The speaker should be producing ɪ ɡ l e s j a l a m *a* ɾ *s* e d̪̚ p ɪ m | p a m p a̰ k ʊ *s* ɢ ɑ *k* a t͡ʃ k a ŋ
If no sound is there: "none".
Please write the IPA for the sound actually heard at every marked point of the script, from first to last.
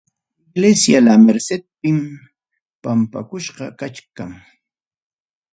e, s, ʃ, k

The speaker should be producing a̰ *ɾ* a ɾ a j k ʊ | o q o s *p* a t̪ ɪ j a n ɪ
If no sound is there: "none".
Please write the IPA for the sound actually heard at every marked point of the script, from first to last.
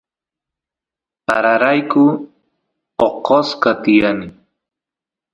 ɾ, k

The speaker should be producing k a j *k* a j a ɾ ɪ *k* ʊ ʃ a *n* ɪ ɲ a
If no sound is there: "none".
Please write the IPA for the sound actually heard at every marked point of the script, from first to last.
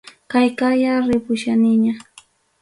k, p, n

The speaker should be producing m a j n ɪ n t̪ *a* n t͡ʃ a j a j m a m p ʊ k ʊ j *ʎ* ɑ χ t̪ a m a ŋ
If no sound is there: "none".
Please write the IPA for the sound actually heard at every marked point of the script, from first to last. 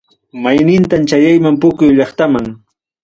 a, ʎ

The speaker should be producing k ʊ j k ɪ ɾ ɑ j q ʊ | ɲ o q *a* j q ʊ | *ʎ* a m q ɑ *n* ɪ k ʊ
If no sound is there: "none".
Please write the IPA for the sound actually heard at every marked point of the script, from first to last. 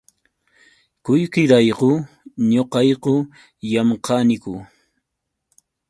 ɑ, j, n

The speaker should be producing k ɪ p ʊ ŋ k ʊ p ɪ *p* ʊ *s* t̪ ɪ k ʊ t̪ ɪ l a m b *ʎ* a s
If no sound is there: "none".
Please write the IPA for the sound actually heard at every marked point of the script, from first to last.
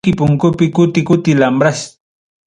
k, none, ɾ

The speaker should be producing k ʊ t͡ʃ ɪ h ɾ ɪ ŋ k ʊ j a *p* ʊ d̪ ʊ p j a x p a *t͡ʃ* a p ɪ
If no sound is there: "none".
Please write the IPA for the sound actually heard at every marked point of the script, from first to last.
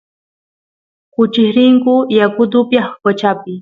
k, t͡ʃ

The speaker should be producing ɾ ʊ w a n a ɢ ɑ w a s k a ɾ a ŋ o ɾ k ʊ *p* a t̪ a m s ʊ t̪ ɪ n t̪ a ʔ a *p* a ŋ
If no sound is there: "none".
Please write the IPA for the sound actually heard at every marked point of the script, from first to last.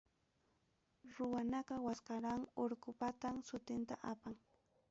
p, p

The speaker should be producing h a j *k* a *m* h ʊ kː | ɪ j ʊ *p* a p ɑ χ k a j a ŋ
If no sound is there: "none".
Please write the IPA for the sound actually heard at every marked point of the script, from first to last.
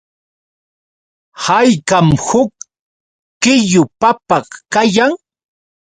k, m, p

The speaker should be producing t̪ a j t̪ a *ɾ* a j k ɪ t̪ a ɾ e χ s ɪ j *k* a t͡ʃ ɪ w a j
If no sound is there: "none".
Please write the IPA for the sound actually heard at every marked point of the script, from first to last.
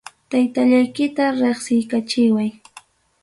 ʎ, k

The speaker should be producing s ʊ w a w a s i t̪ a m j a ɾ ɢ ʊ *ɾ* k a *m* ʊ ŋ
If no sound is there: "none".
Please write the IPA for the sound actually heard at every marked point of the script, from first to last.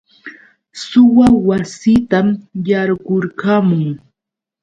ɾ, m

